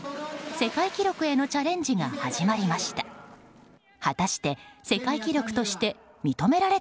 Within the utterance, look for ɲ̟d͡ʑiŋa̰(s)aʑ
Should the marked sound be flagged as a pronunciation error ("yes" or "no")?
yes